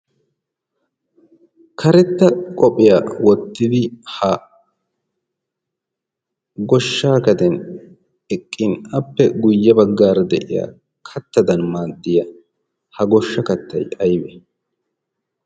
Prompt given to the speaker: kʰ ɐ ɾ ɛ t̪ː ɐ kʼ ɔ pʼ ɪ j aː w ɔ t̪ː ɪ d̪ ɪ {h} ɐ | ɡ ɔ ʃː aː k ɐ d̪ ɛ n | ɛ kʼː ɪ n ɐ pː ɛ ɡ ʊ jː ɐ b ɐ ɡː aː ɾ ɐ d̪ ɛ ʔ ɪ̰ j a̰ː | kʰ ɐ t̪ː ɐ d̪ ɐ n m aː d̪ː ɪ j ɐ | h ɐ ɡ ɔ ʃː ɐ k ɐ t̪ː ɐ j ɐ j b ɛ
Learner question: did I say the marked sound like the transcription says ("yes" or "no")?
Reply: yes